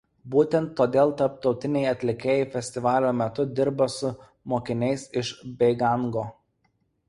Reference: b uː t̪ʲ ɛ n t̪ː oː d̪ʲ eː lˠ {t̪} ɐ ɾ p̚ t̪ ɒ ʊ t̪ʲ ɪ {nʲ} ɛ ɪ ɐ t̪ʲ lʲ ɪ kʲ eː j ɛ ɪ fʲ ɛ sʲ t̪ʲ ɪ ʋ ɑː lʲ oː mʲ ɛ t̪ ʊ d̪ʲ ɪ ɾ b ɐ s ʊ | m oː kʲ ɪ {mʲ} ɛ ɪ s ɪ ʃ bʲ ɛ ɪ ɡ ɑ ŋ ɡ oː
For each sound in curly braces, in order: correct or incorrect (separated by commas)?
correct, correct, incorrect